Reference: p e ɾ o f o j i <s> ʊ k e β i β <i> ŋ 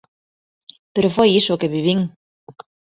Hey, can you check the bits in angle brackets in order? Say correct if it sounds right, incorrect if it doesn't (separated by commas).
correct, correct